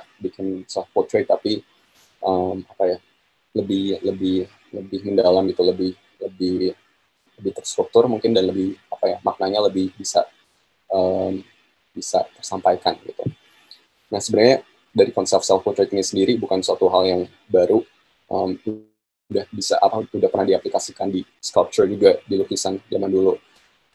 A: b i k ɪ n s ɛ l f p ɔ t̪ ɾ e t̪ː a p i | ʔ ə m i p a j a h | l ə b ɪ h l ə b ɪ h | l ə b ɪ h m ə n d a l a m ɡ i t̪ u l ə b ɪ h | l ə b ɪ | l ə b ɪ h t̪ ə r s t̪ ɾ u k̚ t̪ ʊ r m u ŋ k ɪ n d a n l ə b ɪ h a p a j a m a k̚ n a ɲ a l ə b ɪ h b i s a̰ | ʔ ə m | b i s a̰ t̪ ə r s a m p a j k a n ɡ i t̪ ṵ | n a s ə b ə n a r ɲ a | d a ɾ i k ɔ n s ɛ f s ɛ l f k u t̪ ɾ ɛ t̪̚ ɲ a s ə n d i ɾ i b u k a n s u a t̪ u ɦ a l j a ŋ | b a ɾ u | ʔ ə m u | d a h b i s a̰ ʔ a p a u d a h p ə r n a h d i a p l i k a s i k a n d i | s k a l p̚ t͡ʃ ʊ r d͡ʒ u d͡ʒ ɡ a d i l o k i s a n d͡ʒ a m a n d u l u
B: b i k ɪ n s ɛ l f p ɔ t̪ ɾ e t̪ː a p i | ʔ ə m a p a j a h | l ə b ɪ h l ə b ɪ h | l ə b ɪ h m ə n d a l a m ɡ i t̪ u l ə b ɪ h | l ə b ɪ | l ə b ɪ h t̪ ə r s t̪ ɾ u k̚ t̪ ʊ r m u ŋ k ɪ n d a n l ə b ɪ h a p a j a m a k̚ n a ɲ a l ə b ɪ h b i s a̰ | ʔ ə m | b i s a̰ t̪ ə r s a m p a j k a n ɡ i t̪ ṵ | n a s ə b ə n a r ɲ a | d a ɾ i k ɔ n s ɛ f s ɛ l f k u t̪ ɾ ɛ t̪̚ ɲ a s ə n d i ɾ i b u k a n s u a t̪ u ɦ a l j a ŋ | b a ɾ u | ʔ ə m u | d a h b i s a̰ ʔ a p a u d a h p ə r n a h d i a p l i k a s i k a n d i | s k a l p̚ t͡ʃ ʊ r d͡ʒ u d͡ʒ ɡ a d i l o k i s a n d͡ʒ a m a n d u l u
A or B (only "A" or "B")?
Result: B